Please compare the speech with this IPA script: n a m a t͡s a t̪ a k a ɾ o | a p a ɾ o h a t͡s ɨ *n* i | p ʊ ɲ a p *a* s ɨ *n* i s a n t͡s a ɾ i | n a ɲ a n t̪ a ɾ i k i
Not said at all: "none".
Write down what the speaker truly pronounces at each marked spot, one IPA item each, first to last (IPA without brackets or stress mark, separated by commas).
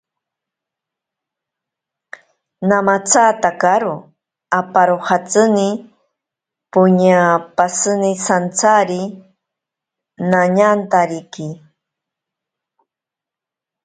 n, a, n